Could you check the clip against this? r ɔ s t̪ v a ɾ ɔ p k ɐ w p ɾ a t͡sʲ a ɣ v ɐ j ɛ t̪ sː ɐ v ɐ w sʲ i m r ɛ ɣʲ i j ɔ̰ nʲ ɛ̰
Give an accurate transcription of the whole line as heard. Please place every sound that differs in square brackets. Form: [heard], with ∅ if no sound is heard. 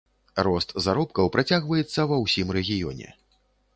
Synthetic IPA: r ɔ s t̪ [z] a ɾ ɔ p k ɐ w p ɾ a t͡sʲ a ɣ v ɐ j ɛ t̪ sː ɐ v ɐ w sʲ i m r ɛ ɣʲ i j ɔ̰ nʲ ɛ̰